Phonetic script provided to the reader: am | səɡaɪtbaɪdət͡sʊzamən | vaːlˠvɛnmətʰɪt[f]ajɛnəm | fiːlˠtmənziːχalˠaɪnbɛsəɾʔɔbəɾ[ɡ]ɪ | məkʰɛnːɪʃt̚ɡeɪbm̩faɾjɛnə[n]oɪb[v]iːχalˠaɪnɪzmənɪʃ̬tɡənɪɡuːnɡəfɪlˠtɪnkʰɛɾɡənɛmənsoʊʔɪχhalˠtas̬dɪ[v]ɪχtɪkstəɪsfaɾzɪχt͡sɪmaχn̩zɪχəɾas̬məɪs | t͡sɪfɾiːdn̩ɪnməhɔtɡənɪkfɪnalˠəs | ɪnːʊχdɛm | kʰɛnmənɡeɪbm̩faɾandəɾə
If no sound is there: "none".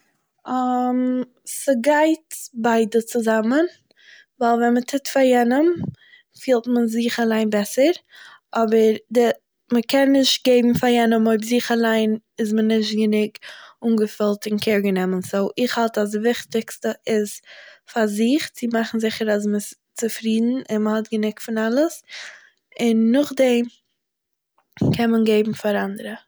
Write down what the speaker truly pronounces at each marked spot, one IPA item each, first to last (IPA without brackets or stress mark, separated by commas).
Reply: f, d, m, z, v